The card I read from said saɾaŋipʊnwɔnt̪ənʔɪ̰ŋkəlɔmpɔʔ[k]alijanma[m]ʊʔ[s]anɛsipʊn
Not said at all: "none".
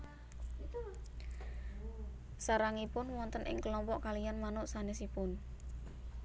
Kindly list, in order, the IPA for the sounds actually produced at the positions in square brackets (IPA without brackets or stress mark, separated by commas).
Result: k, n, s